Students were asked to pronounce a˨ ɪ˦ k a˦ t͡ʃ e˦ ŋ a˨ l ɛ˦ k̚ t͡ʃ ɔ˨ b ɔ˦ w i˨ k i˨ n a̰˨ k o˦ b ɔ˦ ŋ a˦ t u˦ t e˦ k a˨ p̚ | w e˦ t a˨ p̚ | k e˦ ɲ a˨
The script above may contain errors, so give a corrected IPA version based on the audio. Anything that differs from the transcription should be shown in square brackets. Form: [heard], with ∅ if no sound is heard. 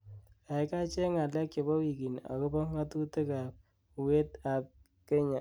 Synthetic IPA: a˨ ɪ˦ k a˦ t͡ʃ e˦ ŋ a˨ l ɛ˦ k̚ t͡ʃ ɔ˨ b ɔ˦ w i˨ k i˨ n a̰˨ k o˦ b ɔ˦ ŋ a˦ t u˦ t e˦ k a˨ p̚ | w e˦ t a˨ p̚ | k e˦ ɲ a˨